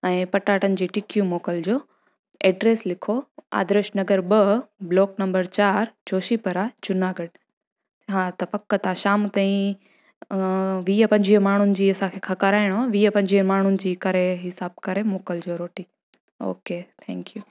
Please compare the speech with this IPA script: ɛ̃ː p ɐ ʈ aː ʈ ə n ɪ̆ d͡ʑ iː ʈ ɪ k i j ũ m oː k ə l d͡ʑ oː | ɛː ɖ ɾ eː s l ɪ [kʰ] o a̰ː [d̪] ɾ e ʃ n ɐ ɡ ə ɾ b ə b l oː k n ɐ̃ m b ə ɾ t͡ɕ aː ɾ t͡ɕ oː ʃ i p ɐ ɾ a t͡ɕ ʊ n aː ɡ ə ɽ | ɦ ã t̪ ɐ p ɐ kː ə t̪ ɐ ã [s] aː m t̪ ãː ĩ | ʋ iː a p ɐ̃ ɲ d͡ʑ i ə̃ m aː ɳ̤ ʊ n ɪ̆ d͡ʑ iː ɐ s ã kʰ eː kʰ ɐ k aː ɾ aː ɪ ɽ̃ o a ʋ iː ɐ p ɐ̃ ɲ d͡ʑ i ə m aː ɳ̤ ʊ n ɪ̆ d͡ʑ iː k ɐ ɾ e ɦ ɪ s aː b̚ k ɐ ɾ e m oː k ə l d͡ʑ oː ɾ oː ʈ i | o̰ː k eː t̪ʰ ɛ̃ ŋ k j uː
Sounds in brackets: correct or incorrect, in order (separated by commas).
correct, correct, incorrect